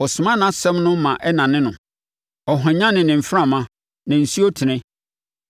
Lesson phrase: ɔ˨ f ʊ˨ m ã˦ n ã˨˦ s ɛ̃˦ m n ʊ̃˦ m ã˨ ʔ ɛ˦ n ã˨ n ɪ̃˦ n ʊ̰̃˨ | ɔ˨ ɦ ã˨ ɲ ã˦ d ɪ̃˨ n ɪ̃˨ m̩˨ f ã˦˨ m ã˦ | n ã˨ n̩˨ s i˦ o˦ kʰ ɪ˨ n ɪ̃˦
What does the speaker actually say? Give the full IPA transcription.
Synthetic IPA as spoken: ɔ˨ s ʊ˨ m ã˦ n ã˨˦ s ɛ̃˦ m n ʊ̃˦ m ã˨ ʔ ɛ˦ n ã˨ n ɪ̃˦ n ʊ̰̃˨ | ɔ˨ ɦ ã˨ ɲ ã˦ n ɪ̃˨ n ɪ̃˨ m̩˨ f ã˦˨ m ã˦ | n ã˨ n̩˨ s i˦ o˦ tʰ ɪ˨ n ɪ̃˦